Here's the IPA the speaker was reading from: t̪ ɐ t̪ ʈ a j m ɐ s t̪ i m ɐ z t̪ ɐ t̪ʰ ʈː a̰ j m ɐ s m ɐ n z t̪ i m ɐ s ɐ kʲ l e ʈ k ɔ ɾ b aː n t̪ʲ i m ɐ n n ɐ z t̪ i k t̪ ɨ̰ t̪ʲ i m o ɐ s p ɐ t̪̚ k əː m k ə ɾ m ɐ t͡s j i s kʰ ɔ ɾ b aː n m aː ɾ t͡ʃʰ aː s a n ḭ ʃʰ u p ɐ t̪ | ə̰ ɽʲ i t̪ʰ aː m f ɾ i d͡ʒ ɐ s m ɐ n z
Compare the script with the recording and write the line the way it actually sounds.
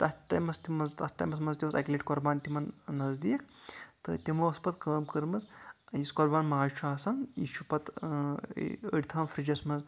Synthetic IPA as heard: t̪ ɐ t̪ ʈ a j m ɐ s t̪ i m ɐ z t̪ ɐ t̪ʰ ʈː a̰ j m ɐ s m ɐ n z t̪ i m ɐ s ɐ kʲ l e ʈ k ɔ ɾ b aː n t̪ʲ i m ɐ n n ɐ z d̪ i k t̪ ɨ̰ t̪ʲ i m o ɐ s p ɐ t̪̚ k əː m k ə ɾ m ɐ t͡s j i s k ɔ ɾ b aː n m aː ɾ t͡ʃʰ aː s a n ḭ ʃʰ u p ɐ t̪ | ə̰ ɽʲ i t̪ʰ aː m f ɾ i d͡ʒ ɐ s m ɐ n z